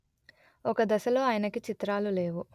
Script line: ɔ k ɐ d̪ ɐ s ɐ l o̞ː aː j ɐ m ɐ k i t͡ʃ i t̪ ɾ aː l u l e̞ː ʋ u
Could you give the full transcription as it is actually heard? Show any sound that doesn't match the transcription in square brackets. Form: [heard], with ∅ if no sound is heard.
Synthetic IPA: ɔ k ɐ d̪ ɐ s ɐ l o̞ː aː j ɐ [n] ɐ k i t͡ʃ i t̪ ɾ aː l u l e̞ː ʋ u

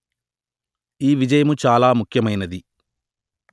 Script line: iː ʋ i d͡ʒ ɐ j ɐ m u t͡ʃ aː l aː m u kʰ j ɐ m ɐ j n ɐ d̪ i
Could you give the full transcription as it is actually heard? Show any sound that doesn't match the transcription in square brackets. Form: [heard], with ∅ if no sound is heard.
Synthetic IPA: iː ʋ i d͡ʒ ɐ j ɐ m u t͡ʃ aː l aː m u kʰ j ɐ m ɐ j n ɐ d̪ i

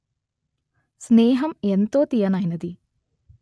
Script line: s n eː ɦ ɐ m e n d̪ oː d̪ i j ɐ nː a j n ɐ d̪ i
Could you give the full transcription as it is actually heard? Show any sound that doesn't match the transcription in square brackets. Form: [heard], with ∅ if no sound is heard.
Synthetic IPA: s n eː ɦ ɐ m e n [t̪] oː [t̪] i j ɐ [n] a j n ɐ d̪ i

